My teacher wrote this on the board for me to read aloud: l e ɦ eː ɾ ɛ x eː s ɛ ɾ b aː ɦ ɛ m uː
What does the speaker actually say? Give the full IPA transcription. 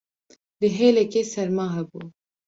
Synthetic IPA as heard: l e ɦ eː l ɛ k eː s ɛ ɾ m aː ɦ ɛ b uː